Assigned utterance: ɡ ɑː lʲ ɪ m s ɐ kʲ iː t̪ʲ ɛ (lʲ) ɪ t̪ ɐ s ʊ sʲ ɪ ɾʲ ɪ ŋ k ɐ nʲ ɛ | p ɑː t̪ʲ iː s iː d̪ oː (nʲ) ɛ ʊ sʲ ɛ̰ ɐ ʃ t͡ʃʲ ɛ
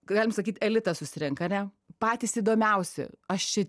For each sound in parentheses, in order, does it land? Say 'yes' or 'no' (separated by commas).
yes, no